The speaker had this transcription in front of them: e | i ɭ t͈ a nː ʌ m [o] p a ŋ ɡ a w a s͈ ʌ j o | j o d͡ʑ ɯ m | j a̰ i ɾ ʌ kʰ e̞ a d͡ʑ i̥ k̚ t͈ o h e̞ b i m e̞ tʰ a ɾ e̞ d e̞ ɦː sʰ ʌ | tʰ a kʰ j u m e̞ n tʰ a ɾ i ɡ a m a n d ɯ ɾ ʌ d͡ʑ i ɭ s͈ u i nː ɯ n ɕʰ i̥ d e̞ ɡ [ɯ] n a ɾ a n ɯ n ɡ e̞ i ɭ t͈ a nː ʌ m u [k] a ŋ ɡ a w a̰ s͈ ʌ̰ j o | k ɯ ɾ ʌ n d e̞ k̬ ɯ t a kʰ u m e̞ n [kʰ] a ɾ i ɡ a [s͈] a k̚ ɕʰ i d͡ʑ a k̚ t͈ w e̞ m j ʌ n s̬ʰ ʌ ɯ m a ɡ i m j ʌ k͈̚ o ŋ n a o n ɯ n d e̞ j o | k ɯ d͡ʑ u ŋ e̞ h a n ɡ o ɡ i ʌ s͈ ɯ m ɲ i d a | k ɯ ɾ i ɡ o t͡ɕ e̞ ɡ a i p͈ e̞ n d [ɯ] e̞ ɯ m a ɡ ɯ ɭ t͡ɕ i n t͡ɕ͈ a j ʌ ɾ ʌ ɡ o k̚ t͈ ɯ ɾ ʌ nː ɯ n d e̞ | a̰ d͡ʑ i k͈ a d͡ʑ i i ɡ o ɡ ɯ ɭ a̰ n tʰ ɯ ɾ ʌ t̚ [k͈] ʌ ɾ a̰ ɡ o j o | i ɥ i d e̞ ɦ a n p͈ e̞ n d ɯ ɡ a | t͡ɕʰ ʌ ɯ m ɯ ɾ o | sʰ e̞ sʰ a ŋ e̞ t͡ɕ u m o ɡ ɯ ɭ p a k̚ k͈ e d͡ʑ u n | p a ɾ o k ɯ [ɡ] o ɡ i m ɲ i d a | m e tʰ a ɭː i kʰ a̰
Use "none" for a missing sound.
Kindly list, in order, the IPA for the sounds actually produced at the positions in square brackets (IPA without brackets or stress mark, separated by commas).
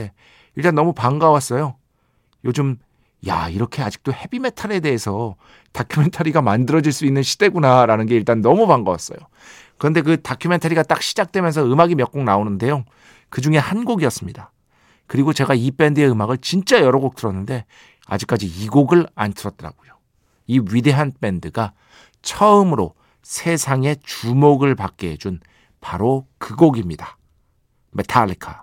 u, u, p, tʰ, t͈, ɯ, t͈, ɡ